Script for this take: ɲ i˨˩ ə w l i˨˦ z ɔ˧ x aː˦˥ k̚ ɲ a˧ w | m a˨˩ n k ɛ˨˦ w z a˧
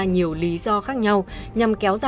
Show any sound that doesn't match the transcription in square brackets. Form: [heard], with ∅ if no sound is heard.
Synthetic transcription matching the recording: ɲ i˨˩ ə w l i˨˦ z ɔ˧ x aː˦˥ k̚ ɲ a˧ w | [ɲ] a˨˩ [m] k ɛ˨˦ w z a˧